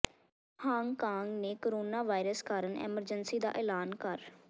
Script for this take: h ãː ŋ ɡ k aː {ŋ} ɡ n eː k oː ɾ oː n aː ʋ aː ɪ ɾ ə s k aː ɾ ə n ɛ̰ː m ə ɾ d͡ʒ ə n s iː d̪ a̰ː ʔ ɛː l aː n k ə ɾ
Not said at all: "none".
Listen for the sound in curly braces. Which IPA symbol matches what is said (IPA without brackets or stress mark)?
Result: ŋ